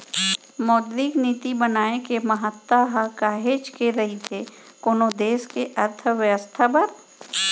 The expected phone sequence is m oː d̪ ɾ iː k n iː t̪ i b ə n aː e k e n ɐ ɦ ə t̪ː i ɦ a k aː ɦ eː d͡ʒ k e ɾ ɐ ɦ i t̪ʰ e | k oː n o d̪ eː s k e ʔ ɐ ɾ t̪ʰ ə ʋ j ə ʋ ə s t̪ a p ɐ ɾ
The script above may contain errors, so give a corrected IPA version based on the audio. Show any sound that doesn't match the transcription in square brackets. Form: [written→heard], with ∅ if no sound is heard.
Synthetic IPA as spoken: m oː d̪ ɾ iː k n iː t̪ i b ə n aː e k e [n→m] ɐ ɦ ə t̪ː [i→a] ɦ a k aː ɦ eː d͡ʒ k e ɾ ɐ ɦ i t̪ʰ e | k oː n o d̪ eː s k e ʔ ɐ ɾ t̪ʰ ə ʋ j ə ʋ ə s [t̪→t̪ʰ] a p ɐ ɾ